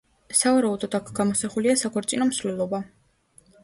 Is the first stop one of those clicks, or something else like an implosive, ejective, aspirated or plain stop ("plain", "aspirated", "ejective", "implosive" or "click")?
plain